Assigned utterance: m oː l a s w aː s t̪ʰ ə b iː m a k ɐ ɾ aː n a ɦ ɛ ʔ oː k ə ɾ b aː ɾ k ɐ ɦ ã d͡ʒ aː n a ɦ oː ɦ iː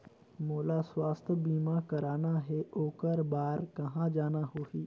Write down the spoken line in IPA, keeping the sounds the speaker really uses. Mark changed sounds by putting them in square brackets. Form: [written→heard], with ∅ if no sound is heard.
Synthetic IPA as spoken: m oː l a s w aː s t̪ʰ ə b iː m a k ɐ ɾ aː n a ɦ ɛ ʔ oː k ə ɾ b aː ɾ k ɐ ɦ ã d͡ʒ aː n a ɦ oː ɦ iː